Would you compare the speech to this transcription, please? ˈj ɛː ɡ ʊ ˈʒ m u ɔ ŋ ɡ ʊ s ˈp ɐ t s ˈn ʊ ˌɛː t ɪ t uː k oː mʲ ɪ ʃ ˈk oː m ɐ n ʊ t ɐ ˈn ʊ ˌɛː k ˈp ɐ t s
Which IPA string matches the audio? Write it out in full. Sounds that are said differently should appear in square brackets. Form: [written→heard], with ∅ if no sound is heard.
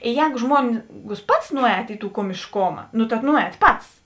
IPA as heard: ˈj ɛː ɡ ʊ ˈʒ m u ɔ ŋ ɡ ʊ s ˈp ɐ t s ˈn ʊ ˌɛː t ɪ t uː k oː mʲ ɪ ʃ ˈk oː m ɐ n ʊ t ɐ ˈn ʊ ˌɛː [k→t] ˈp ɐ t s